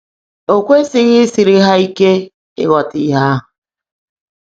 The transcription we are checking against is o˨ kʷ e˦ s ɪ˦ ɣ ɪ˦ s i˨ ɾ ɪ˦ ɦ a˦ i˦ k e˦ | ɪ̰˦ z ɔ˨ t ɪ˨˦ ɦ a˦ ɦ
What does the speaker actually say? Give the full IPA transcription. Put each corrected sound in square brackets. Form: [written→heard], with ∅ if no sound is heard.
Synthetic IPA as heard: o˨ kʷ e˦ s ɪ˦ ɣ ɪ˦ s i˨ ɾ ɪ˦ ɦ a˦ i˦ k e˦ | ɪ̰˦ [z→ɣ] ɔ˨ t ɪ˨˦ ɦ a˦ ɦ